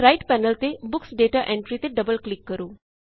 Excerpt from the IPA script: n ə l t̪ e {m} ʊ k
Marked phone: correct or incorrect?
incorrect